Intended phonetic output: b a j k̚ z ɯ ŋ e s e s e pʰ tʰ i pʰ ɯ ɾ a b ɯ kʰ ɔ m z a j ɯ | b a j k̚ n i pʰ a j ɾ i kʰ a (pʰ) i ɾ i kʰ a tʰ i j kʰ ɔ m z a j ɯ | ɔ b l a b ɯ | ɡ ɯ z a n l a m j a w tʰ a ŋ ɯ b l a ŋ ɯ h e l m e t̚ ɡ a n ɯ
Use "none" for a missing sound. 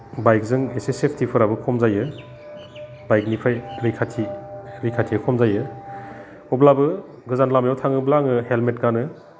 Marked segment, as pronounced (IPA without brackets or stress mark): tʰ